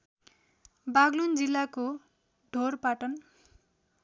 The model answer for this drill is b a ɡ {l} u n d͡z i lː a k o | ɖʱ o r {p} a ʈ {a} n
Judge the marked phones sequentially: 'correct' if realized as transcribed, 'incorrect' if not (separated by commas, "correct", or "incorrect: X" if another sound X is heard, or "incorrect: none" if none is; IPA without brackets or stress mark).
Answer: correct, correct, incorrect: ʌ